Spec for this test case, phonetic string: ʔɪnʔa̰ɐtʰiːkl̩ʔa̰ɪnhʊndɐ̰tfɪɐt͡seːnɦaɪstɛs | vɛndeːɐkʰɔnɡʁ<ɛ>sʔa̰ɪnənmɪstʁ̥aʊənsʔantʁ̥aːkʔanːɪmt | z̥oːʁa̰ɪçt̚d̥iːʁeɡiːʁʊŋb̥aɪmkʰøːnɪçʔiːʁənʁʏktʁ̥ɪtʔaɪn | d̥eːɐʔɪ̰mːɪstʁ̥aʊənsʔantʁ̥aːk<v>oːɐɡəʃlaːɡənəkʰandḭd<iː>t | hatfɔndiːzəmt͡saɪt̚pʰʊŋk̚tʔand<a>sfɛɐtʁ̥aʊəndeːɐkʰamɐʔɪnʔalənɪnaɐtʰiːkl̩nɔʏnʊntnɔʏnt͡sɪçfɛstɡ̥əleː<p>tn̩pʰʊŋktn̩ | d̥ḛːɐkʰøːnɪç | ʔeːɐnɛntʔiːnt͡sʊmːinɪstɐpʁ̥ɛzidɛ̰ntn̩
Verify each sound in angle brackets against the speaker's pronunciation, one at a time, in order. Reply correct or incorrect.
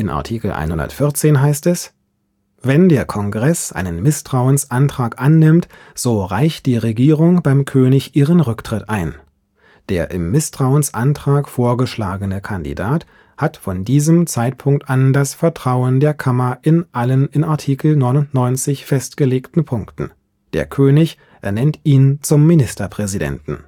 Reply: correct, incorrect, incorrect, correct, incorrect

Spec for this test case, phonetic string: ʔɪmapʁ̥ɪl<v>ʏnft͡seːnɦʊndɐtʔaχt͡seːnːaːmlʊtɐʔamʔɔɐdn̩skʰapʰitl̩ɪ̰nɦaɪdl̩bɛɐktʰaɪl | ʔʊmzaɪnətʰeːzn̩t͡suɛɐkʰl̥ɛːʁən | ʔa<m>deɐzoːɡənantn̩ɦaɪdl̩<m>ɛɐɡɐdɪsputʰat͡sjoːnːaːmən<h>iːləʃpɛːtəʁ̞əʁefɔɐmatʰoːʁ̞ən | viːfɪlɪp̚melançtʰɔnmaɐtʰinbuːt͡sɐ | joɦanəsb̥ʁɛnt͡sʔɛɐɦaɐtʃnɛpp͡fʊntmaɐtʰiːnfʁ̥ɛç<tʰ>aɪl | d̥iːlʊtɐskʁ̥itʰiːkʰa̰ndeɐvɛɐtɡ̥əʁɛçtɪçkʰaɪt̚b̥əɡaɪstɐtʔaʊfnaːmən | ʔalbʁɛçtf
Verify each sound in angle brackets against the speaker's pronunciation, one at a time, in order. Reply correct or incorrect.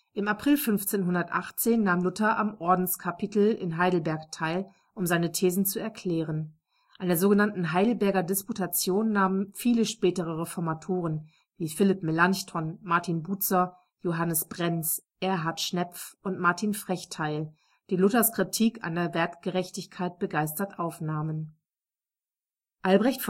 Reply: incorrect, incorrect, incorrect, incorrect, correct

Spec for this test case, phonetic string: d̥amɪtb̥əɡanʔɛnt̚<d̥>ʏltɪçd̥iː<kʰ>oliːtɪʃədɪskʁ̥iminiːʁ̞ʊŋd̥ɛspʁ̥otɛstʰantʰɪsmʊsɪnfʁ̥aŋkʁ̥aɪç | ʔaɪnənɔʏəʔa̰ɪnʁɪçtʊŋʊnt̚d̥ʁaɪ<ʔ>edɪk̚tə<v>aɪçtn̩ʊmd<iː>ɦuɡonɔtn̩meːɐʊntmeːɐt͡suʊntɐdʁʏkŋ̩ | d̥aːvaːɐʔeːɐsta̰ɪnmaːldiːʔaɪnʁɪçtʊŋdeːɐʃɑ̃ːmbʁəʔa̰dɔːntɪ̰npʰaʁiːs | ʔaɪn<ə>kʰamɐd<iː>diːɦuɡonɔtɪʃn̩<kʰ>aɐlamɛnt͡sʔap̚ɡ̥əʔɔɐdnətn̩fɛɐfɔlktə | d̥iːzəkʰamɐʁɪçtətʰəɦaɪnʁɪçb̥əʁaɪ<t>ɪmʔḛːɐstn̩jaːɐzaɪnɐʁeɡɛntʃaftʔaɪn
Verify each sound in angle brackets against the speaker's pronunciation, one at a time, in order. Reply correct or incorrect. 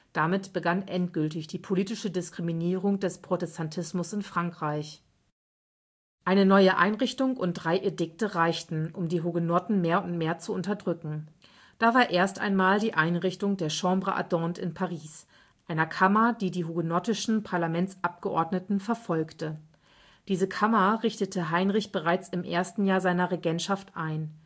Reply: incorrect, incorrect, correct, incorrect, correct, incorrect, correct, incorrect, incorrect

